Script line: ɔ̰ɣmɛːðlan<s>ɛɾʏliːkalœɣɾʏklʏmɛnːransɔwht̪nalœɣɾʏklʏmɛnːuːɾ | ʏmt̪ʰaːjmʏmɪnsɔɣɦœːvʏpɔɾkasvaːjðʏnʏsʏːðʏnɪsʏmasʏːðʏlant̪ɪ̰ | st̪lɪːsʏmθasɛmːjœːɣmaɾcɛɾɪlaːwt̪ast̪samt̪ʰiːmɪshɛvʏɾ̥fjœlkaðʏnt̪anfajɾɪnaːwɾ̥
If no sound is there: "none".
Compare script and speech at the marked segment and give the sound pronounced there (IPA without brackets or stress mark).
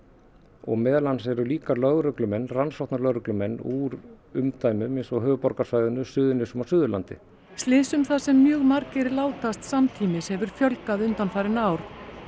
s